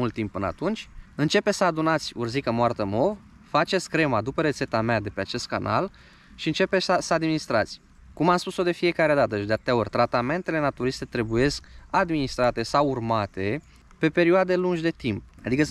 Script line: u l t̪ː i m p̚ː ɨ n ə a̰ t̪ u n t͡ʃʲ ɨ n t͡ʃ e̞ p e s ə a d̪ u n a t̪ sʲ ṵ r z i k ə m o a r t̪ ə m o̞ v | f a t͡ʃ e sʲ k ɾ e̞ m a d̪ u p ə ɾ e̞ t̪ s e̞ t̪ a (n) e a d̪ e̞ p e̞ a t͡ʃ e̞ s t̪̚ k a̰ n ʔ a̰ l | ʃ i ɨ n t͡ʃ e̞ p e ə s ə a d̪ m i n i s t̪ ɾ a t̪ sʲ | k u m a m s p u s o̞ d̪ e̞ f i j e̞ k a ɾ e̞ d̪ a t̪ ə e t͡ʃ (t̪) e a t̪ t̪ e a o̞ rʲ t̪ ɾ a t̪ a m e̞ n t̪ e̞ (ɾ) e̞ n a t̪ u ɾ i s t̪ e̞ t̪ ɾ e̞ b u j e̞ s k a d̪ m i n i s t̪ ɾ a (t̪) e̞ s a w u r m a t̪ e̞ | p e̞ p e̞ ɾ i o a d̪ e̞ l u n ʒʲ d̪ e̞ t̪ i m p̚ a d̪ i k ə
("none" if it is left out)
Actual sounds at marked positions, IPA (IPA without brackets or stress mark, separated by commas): m, d̪, l, t̪